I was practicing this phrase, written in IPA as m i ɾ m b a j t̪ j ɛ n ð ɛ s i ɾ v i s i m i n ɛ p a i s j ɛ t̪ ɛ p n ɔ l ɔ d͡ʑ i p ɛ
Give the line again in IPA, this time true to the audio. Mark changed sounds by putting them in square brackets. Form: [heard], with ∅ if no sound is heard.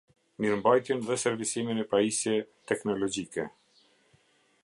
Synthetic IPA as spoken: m i ɾ m b a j t̪ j ɛ n ð ɛ s [ɛ] ɾ v i s i m i n ɛ p a i s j ɛ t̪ ɛ [k] n ɔ l ɔ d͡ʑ i [k] ɛ